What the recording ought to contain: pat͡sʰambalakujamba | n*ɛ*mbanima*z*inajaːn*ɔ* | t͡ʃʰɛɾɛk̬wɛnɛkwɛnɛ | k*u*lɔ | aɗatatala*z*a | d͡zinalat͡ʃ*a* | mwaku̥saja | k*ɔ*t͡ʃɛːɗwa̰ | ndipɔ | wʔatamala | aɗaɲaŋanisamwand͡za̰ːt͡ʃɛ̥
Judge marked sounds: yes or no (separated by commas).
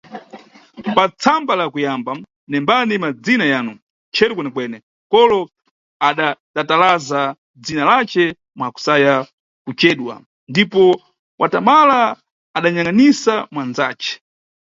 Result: yes, no, no, no, yes, no, no